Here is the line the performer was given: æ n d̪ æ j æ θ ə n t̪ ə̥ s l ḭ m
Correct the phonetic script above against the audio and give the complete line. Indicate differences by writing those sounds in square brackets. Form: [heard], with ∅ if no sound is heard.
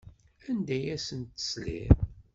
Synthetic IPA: æ n d̪ æ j æ [s] ə n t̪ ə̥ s l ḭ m